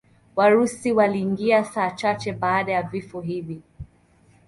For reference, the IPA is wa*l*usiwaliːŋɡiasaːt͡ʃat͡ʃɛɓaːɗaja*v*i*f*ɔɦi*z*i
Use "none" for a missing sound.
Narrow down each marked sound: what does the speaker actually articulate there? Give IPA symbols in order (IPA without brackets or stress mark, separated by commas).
ɾ, v, f, v